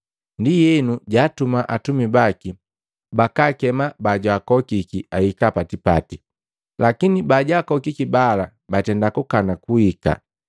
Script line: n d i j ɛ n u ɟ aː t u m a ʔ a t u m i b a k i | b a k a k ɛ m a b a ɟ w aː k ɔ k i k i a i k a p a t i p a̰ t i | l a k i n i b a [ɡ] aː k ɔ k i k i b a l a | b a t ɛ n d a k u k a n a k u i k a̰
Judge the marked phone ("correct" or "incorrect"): incorrect